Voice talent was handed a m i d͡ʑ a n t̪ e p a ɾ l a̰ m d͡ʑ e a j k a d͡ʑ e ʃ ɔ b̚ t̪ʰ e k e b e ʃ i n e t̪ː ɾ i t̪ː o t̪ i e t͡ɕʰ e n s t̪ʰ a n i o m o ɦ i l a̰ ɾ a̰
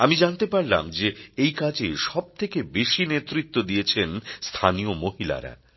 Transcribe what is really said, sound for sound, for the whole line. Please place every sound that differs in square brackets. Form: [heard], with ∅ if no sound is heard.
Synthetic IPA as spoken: a m i d͡ʑ a n t̪ e p a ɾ l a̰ m d͡ʑ e [e] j k a d͡ʑ e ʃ ɔ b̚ t̪ʰ e k e b e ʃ i n e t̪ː ɾ i t̪ː o [d̪] i e t͡ɕʰ e n s t̪ʰ a n i o m o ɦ i l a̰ ɾ a̰